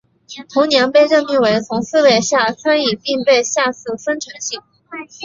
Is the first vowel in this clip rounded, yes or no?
yes